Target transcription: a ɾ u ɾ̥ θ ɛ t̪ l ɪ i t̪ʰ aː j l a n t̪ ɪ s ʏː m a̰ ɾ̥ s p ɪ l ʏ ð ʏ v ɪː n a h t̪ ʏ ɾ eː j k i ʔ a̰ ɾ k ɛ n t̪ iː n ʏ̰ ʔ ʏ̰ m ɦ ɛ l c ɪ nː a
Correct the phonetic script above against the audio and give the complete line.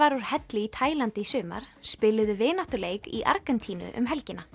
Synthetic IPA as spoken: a ɾ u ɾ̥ h ɛ t̪ l ɪ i t̪ʰ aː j l a n t̪ ɪ s ʏː m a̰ ɾ̥ s p ɪ l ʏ ð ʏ v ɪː n a h t̪ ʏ l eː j k i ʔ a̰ ɾ k ɛ n t̪ʰ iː n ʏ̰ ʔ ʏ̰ m ɦ ɛ l c ɪ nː a